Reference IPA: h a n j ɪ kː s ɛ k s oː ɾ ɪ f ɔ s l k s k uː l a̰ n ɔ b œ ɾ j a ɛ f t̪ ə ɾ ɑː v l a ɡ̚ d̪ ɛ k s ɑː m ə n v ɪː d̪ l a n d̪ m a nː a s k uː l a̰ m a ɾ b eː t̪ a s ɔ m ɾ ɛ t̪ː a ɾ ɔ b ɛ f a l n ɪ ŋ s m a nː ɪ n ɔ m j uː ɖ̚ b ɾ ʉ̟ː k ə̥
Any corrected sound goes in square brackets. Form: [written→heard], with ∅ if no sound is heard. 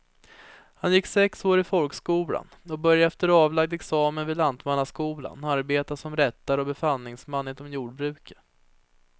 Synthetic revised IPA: h a n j ɪ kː s ɛ k s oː ɾ ɪ f ɔ [s→∅] l k s k uː l a̰ n ɔ b œ ɾ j a ɛ f t̪ ə ɾ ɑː v l a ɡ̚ d̪ ɛ k s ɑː m ə n v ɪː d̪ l a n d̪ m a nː a s k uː l a̰ [m→n] a ɾ b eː t̪ a s ɔ m ɾ ɛ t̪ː a ɾ ɔ b ɛ f a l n ɪ ŋ s m a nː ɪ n ɔ m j uː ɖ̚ b ɾ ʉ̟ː k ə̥